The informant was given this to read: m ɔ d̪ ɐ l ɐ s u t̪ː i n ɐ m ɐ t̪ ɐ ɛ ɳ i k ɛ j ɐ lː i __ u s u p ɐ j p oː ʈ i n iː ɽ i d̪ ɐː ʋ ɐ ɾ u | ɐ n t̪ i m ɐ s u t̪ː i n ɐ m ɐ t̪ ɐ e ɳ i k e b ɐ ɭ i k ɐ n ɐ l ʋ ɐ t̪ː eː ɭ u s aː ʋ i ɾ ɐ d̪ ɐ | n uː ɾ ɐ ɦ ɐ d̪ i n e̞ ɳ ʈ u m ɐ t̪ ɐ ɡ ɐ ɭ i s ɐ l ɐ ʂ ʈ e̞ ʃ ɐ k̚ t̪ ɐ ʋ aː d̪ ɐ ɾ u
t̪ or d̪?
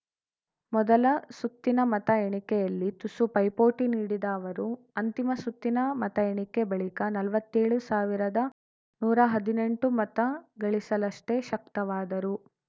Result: t̪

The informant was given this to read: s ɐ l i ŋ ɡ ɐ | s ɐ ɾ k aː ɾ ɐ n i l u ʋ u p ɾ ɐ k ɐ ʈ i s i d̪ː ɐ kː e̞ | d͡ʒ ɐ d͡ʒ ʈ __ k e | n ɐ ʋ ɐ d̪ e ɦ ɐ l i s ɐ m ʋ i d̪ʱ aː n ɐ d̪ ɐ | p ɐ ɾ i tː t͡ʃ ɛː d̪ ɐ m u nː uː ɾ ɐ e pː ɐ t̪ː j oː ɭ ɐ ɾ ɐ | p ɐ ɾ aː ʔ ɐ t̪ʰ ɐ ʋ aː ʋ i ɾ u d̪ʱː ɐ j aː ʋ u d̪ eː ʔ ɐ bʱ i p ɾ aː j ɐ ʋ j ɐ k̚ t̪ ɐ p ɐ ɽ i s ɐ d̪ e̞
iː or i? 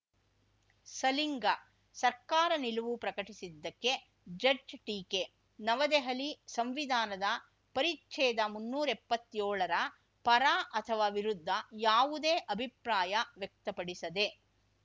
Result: iː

